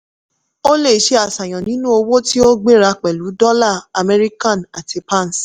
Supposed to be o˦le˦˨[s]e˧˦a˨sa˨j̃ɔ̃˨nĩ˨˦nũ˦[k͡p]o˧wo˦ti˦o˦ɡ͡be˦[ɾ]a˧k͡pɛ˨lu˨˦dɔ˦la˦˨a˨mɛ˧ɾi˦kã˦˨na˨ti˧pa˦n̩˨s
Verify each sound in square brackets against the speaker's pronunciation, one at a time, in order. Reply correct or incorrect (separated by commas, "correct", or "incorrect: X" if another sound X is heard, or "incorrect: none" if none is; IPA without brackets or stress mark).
incorrect: ʃ, incorrect: none, correct